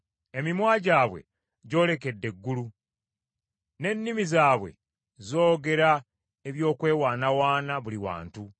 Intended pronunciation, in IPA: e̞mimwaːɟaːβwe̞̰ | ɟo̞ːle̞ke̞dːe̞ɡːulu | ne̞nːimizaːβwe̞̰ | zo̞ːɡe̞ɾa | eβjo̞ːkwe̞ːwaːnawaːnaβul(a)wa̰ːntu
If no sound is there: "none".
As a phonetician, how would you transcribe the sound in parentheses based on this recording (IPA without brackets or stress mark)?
i